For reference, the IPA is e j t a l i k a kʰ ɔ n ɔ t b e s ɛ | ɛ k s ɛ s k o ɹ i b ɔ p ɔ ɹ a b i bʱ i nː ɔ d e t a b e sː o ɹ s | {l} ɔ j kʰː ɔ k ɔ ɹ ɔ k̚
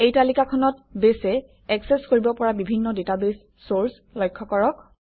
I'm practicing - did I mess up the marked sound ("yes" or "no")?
no